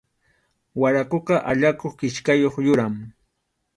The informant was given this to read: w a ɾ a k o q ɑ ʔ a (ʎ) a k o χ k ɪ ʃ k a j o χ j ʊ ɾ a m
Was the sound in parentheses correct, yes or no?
yes